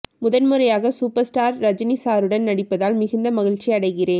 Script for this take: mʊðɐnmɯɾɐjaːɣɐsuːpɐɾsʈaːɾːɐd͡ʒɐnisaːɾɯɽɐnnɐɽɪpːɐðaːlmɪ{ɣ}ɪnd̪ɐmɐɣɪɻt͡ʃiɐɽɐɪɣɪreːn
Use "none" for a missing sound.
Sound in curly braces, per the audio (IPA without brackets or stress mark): ɣ